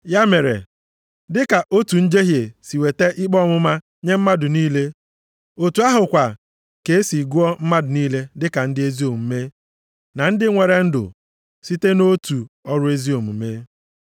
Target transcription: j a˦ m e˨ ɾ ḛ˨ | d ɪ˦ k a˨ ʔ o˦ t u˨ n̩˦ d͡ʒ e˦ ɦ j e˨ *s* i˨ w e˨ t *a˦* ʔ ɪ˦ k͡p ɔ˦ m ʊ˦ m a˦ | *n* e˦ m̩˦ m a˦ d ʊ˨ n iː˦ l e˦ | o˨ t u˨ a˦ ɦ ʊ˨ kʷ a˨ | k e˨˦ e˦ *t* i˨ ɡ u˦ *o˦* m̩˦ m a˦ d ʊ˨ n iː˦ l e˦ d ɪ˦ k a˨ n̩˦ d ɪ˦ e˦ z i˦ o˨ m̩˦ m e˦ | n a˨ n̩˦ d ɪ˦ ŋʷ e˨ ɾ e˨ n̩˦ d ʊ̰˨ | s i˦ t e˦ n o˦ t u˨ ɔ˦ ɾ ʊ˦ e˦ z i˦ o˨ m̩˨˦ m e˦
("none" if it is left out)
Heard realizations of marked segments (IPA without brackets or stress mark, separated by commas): s, e˦, ɲ, s, ɔ˦